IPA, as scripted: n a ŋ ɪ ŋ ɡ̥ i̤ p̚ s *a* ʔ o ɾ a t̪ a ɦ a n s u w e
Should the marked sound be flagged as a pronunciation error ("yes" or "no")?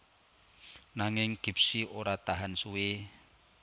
yes